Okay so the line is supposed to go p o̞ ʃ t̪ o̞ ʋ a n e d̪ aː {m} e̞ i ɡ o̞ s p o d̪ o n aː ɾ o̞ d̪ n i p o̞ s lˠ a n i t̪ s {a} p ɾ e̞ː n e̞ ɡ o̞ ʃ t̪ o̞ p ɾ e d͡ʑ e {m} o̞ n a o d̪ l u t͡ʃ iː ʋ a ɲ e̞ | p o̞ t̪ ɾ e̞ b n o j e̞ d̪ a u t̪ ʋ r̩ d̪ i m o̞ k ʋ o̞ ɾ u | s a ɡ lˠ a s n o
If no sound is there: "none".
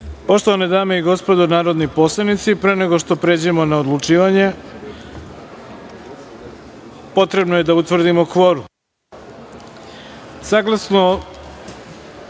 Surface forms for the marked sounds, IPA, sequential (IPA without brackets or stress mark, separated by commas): m, i, m